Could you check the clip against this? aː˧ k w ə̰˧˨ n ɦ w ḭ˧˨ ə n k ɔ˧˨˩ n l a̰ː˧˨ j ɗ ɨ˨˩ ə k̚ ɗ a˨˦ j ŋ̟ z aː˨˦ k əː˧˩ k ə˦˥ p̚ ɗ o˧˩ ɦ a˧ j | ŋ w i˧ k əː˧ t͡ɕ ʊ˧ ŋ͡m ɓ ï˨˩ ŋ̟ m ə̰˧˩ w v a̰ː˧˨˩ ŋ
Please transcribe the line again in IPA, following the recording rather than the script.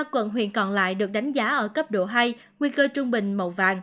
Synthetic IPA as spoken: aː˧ k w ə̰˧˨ n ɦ w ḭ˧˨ ə n k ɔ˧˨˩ n l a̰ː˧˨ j ɗ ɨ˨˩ ə k̚ ɗ a˨˦ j ŋ̟ z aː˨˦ ʔ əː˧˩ k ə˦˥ p̚ ɗ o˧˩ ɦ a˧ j | ŋ w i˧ k əː˧ t͡ɕ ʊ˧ ŋ͡m ɓ ï˨˩ ŋ̟ m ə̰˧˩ w v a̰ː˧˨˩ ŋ

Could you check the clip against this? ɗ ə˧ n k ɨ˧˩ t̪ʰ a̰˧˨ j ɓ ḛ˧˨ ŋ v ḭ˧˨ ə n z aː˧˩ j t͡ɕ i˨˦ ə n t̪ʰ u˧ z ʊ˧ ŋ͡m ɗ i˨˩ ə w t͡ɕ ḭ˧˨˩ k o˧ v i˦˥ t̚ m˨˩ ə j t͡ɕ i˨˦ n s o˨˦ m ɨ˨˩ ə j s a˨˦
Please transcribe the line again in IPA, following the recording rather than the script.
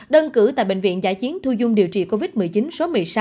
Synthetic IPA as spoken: ɗ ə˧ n k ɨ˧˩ t̪ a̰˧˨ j ɓ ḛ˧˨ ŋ v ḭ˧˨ ə n z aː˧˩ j t͡ɕ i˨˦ ə n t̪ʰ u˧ z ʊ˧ ŋ͡m ɗ i˨˩ ə w t͡ɕ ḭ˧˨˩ k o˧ v i˦˥ t̚ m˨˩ ə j t͡ɕ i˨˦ n s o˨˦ m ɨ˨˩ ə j s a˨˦

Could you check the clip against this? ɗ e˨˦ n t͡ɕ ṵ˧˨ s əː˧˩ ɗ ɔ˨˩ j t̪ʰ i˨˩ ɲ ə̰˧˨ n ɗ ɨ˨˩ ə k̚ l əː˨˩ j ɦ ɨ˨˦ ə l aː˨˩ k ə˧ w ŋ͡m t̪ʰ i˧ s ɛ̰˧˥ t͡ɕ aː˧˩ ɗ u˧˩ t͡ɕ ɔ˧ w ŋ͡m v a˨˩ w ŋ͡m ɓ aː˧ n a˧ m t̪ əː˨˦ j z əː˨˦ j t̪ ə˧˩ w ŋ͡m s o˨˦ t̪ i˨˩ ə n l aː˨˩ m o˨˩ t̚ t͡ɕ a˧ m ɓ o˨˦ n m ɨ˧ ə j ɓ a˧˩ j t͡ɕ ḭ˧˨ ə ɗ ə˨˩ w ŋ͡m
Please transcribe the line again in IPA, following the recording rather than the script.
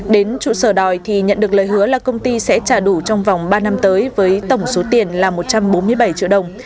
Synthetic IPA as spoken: ɗ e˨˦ n t͡ɕ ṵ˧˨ s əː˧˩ ɗ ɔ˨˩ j t̪ʰ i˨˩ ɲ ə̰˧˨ n ɗ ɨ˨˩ ə k̚ l əː˨˩ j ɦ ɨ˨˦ ə l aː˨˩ k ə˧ w ŋ͡m t̪ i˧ s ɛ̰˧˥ t͡ɕ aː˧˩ ɗ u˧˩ t͡ɕ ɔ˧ w ŋ͡m v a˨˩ w ŋ͡m ɓ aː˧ n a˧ m t̪ əː˨˦ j v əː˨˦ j t̪ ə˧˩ w ŋ͡m s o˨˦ t̪ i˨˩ ə n l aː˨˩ m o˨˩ t̚ t͡ɕ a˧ m ɓ o˨˦ n m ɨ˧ ə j ɓ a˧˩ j t͡ɕ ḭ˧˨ ə ɗ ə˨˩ w ŋ͡m

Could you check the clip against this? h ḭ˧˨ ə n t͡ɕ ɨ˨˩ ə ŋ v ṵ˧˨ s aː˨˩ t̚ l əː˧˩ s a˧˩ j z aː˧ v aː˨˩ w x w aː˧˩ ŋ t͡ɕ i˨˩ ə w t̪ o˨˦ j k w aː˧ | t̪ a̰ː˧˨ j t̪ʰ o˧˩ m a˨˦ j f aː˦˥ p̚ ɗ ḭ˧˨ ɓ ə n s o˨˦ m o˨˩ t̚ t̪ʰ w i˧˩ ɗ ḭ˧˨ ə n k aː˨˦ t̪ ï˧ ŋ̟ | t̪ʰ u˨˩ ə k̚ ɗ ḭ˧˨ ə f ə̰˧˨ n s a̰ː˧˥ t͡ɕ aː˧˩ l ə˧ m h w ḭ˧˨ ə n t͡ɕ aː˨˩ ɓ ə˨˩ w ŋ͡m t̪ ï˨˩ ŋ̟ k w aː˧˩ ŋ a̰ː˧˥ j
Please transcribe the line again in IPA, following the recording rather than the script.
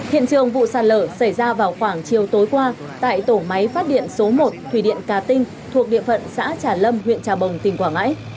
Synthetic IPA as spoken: h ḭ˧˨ ə n t͡ɕ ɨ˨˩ ə ŋ v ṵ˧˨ s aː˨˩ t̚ l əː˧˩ s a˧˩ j z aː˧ v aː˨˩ w x w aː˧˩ ŋ t͡ɕ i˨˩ ə w t̪ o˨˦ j k w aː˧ | t̪ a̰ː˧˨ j t̪ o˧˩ m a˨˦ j f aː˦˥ t̚ ɗ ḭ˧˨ ə n s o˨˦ m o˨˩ t̚ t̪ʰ w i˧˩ ɗ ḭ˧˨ ə n k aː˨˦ t̪ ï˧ ŋ̟ | t̪ʰ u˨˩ ə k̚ ɗ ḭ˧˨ ə f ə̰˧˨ n s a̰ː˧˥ t͡ɕ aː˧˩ l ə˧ m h w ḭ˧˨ ə n t͡ɕ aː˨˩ ɓ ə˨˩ w ŋ͡m t̪ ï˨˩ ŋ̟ k w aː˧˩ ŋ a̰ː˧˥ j

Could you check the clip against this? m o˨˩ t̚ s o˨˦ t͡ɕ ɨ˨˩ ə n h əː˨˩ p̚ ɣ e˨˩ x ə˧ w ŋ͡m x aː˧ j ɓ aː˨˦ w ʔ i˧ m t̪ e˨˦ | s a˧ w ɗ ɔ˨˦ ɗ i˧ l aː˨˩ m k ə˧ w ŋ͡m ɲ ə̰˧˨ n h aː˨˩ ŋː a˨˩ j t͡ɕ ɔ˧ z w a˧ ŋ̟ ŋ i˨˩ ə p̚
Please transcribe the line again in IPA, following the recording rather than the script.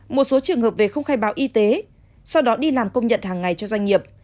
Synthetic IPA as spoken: m o˨˩ t̚ s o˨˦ t͡ɕ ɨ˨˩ ə ŋ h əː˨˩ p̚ v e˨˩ x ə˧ w ŋ͡m x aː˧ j ɓ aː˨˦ w ʔ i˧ t̪ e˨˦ | s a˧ w ɗ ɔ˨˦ ɗ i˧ l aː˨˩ m k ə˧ w ŋ͡m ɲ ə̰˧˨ n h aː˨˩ ŋː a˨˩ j t͡ɕ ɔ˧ z w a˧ ŋ̟ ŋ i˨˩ ə p̚

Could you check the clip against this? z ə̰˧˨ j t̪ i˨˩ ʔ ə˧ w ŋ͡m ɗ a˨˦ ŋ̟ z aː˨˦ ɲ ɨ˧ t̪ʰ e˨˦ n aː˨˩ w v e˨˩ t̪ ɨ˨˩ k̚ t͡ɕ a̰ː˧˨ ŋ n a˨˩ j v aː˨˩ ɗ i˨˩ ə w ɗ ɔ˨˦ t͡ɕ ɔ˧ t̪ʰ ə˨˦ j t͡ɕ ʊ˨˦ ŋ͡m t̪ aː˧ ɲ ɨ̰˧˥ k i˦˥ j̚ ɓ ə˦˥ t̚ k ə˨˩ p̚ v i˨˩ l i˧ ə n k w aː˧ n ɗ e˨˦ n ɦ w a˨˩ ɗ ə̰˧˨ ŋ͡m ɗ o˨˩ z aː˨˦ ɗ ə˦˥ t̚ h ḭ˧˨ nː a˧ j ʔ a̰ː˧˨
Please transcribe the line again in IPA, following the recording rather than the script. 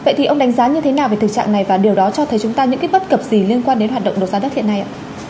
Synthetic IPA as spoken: v ə̰˧˨ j t̪ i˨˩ ʔ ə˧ w ŋ͡m ɗ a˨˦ ŋ̟ z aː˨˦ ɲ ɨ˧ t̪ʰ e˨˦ n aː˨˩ w v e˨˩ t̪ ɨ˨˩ k̚ t͡ɕ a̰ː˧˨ ŋ n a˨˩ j v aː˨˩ ɗ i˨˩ ə w ɗ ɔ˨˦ t͡ɕ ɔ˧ t̪ʰ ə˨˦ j t͡ɕ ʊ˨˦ ŋ͡m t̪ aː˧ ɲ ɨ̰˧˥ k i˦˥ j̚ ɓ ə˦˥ t̚ k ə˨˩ p̚ z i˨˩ l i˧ ə n k w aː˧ n ɗ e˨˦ n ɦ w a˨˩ ɗ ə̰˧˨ ŋ͡m ɗ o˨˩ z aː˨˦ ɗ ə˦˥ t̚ h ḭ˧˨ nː a˧ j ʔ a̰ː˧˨

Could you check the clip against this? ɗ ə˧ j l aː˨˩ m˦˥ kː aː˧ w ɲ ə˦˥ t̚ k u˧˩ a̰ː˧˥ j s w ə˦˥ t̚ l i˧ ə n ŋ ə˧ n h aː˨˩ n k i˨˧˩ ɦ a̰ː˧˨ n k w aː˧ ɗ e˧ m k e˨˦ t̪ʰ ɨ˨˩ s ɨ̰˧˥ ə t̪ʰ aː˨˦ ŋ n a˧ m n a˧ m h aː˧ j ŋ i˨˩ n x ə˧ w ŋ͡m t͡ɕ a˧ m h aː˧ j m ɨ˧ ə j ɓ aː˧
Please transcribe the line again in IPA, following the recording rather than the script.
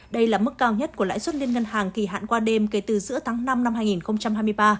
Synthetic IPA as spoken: ɗ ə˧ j l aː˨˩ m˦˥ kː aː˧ w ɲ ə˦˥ t̚ k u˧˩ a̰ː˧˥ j s w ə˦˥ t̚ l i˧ ə n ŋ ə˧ n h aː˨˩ ŋ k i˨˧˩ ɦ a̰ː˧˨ n k w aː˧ ɗ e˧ m k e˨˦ t̪ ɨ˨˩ z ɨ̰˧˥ ə t̪ʰ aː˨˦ ŋ n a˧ m n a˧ m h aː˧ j ŋ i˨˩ n x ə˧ w ŋ͡m t͡ɕ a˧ m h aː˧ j m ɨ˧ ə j ɓ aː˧

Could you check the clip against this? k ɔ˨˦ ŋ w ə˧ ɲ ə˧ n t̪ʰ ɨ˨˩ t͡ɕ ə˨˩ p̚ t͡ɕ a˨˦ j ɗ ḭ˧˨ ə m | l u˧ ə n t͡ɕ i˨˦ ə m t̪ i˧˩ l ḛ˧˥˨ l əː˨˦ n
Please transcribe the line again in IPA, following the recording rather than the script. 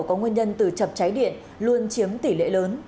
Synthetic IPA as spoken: k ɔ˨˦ ŋ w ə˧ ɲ ə˧ n t̪ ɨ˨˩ t͡ɕ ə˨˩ p̚ t͡ɕ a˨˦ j ɗ ḭ˧˨ ə n | l u˧ ə n t͡ɕ i˨˦ ə m t̪ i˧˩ l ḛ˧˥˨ l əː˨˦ n

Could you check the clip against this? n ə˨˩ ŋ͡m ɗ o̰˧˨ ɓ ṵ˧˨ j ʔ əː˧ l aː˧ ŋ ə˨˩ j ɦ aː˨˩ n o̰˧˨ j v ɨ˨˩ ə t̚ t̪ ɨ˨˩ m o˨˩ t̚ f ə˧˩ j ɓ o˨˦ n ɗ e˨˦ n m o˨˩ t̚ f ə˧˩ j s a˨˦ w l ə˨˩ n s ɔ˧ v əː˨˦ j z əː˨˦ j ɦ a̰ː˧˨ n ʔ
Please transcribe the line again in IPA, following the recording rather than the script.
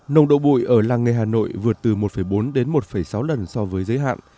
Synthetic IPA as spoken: n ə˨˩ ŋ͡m ɗ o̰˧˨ ɓ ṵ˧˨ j ʔ əː˧˩ l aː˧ ŋ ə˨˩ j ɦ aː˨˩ n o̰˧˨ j v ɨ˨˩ ə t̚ t̪ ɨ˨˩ m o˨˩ t̚ f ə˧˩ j ɓ o˨˦ n ɗ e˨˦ n m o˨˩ t̚ f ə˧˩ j s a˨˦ w l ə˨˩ n s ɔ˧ v əː˨˦ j z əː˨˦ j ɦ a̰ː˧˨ n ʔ

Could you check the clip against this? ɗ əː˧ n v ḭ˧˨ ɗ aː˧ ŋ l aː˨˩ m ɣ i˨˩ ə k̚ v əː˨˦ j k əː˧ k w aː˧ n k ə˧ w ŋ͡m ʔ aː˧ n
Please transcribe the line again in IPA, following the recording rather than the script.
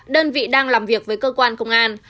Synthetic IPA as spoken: ɗ əː˧ n v ḭ˧˨ ɗ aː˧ ŋ l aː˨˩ m v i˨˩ ə k̚ v əː˨˦ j k əː˧ k w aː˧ n k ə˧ w ŋ͡m ʔ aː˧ n

